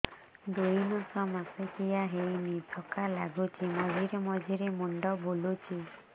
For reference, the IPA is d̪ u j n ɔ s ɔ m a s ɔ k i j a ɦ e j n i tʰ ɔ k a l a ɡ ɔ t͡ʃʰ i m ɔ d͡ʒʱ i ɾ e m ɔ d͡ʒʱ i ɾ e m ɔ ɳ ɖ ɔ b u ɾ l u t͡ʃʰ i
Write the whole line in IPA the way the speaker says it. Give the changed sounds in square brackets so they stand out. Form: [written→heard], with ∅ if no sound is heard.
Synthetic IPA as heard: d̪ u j n ɔ s ɔ m a s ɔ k i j a ɦ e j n i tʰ ɔ k a l a ɡ [ɔ→u] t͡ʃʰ i m ɔ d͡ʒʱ i ɾ e m ɔ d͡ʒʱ i ɾ e m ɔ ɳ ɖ ɔ b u [ɾ→∅] l u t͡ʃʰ i